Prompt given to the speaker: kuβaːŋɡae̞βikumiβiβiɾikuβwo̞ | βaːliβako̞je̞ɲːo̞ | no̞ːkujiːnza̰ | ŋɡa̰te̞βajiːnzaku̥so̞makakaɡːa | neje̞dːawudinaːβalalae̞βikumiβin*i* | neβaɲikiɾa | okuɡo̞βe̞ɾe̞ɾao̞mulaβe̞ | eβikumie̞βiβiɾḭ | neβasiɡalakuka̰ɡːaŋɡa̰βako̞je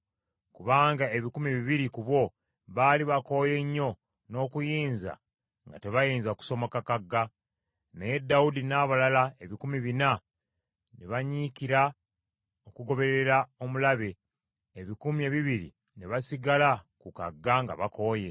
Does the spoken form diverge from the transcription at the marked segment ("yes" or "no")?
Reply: yes